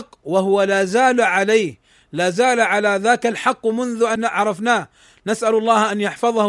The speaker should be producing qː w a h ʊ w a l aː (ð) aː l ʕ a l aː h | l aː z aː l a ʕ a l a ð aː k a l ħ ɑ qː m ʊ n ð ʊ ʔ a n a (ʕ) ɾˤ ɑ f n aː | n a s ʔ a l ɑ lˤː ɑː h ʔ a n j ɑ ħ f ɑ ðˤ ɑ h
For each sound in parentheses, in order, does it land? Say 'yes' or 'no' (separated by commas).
no, yes